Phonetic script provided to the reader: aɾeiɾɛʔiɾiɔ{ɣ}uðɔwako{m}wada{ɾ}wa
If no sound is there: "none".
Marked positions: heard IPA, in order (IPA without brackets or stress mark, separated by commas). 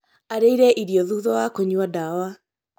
ð, ɲ, none